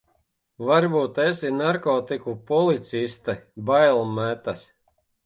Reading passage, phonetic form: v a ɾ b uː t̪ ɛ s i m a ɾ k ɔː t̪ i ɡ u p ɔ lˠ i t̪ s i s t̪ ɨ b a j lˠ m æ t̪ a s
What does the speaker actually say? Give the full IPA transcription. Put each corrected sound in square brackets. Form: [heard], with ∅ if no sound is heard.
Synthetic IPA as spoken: v a ɾ b uː t̪ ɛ s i [n] a ɾ k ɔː t̪ i [k] u p ɔ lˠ i t̪ s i s t̪ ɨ b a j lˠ m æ t̪ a s